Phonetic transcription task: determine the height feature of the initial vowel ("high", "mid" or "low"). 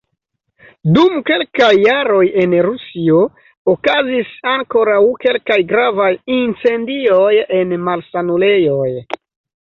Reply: high